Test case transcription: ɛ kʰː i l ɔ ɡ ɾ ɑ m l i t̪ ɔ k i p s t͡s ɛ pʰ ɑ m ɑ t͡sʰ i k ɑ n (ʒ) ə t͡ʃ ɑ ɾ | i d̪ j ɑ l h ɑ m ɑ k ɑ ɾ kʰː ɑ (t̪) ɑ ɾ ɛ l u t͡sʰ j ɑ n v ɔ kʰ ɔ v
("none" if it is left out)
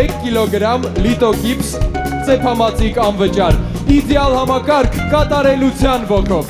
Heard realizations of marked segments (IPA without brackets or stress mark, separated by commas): v, t̪